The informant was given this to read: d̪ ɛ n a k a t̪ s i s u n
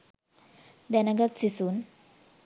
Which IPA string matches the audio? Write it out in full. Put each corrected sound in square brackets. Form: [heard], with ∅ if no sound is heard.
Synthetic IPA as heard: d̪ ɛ n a [ɡ] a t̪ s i s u n